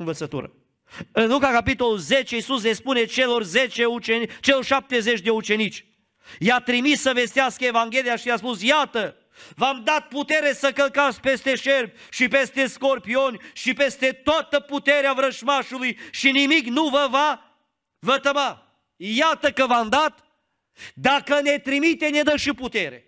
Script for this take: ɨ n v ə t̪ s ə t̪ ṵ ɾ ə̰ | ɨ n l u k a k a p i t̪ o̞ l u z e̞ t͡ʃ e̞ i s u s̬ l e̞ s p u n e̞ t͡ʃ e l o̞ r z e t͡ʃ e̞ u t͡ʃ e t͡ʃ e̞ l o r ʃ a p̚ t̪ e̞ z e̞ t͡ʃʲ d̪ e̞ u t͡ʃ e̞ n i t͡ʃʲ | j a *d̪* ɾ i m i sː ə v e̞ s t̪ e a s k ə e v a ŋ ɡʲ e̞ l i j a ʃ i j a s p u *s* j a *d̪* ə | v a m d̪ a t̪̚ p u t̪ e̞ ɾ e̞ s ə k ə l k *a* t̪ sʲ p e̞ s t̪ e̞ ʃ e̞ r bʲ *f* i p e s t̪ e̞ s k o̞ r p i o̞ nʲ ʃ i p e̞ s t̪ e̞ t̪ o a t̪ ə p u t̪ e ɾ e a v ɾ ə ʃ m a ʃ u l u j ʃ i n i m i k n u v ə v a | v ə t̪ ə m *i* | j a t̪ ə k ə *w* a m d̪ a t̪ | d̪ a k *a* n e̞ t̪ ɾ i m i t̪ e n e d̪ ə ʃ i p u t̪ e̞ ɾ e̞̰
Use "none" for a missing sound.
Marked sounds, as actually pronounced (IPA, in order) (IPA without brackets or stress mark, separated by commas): t̪, s, t̪, a, ʃ, a, v, ə